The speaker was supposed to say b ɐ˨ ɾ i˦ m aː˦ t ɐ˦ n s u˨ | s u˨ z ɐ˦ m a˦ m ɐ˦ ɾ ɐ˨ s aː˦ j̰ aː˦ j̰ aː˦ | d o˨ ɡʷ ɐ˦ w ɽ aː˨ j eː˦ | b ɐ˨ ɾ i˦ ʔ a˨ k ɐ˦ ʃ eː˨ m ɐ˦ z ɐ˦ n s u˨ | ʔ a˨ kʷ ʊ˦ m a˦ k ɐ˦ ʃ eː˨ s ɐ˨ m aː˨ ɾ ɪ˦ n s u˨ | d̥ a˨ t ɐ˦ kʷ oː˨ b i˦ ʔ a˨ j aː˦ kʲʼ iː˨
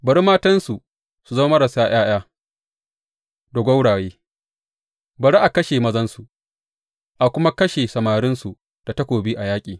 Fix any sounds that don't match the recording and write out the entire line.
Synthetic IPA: b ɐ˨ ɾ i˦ m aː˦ t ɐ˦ n s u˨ | s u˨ z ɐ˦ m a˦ m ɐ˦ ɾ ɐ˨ s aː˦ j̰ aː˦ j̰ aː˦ | d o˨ ɡʷ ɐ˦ w ɽ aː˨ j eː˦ | b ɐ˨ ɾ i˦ ʔ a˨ k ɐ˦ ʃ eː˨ m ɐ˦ z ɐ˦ n s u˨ | ʔ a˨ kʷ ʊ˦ m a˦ k ɐ˦ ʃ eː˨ s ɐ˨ m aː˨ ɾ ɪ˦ n s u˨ | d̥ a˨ t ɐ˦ kʷ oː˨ b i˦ ʔ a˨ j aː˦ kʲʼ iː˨

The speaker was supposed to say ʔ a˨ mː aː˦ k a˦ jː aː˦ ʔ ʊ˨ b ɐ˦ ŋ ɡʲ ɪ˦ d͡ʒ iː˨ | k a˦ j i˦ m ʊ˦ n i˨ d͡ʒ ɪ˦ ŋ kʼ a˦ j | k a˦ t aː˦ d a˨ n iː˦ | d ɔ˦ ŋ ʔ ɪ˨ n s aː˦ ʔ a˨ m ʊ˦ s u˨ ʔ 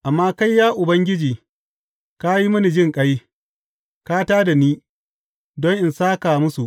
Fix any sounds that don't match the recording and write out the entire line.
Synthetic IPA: ʔ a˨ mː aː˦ k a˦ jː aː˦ ʔ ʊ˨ b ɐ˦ ŋ ɡʲ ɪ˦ d͡ʒ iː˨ | k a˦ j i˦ m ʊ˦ n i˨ d͡ʒ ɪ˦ ŋ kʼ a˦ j | k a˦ t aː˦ d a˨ n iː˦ | d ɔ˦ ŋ ʔ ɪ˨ n s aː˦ k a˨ m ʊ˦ s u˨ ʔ

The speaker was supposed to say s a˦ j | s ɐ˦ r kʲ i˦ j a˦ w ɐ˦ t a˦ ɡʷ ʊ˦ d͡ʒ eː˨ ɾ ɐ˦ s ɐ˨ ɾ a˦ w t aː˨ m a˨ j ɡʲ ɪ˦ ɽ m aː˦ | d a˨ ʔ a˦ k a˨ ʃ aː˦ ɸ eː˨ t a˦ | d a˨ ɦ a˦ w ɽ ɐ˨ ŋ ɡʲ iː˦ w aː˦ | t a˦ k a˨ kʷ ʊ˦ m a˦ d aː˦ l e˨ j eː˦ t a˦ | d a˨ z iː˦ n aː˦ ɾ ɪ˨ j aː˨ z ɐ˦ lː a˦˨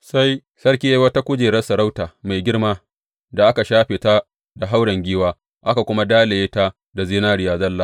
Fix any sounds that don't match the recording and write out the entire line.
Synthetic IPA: s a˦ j | s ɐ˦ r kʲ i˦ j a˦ w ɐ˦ t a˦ kʷ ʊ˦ d͡ʒ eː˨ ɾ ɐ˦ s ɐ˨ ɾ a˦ w t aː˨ m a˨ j ɡʲ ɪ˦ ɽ m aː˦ | d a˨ ʔ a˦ k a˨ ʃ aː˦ ɸ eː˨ t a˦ | d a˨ ɦ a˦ w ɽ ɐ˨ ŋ ɡʲ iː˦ w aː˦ | ʔ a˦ k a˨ kʷ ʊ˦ m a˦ d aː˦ l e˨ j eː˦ t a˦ | d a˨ z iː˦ n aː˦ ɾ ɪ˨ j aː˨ z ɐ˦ lː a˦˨

